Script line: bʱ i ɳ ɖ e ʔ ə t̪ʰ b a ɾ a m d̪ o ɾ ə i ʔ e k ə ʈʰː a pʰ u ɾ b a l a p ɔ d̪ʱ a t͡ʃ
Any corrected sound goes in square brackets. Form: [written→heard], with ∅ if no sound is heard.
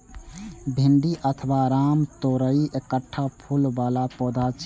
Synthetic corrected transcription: bʱ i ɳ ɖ [e→i] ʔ ə t̪ʰ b a ɾ a m [d̪→t̪] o ɾ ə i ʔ e k ə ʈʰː a pʰ u [ɾ→l] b a l a p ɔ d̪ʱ a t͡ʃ